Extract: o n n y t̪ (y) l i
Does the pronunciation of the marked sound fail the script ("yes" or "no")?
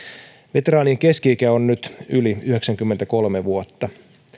no